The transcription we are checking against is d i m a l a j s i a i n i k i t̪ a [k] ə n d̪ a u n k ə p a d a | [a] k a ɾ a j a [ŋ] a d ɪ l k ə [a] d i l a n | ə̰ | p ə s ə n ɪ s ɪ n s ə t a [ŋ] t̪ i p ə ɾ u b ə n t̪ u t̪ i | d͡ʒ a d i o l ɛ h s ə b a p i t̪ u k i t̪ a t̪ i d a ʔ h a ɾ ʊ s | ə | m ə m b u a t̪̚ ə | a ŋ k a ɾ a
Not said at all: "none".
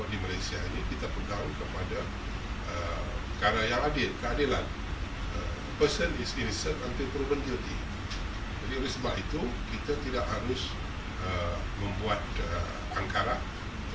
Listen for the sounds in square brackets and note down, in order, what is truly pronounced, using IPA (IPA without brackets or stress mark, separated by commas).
p, ə, ŋ, a, n